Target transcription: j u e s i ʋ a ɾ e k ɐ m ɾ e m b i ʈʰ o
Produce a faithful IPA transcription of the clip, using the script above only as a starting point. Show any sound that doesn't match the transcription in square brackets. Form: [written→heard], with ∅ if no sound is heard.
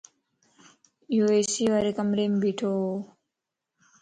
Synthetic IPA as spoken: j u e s i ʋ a ɾ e k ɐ m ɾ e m b i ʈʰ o